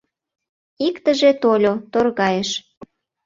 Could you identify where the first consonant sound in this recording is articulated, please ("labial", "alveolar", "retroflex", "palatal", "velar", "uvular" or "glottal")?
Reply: velar